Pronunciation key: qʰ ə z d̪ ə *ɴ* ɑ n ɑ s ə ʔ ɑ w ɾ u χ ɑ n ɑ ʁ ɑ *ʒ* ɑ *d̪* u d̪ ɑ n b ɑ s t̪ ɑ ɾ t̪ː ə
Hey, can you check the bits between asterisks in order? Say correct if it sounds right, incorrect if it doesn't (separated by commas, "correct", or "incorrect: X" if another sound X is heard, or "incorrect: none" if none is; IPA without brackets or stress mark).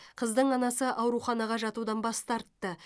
correct, correct, incorrect: t̪